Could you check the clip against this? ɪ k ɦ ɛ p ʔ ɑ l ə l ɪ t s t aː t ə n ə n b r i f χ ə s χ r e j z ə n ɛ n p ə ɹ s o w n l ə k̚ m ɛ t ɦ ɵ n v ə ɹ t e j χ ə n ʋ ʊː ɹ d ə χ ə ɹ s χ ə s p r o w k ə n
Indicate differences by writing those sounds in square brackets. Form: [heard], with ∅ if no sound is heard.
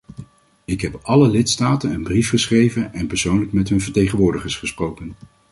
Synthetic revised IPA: ɪ k ɦ ɛ p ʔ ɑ l ə l ɪ t s t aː t ə n ə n b r i f χ ə s χ r e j [v] ə n ɛ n p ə ɹ s o w n l ə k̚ m ɛ t ɦ ɵ n v ə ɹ t e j χ ə n ʋ ʊː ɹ d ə χ ə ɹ s χ ə s p r o w k ə n